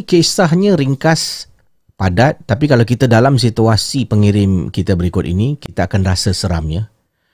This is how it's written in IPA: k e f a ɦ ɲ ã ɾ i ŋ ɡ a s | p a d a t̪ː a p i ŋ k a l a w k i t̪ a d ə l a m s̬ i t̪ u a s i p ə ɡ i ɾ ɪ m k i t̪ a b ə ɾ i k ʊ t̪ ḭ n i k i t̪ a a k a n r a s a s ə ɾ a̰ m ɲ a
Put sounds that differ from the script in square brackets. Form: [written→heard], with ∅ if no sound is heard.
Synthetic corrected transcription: k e [f→s] a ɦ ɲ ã ɾ i ŋ [ɡ→k] a s | p a d a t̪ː a p i [ŋ→∅] k a l a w k i t̪ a d [ə→a] l a m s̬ i t̪ u a s i p ə [ɡ→ŋ] i ɾ ɪ m k i t̪ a b ə ɾ i k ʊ t̪ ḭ n i k i t̪ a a k a n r a s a s ə ɾ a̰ m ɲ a